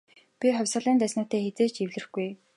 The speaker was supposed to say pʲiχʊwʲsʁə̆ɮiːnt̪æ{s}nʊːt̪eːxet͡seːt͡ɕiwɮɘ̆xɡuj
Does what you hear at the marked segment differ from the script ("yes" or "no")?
no